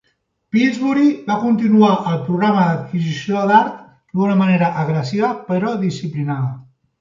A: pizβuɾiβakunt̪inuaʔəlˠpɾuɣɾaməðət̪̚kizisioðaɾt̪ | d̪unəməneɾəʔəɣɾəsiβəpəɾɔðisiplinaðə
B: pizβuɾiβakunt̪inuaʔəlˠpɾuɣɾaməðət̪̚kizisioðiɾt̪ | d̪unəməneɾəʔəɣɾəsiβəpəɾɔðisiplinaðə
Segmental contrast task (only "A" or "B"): A